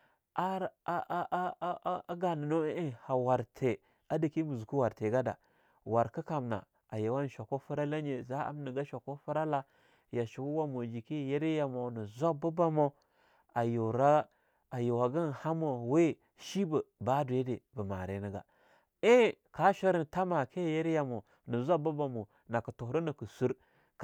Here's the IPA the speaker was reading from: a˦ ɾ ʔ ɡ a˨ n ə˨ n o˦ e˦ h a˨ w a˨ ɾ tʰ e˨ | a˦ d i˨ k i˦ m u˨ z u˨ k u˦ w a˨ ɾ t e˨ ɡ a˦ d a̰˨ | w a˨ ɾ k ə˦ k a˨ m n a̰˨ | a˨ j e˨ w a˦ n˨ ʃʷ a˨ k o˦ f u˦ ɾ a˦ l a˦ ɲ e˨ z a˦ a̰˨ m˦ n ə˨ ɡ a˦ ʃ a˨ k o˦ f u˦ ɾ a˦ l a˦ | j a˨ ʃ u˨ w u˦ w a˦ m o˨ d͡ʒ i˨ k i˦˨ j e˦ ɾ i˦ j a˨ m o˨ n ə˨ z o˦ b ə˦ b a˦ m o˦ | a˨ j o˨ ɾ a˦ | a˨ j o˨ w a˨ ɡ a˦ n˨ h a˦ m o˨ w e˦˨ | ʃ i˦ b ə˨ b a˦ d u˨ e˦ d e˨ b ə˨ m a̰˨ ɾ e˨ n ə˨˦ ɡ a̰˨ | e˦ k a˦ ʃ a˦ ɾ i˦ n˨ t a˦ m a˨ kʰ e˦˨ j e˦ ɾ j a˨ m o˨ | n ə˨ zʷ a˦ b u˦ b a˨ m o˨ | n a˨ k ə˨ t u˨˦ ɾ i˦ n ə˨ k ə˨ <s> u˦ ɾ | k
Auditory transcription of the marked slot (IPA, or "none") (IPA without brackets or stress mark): s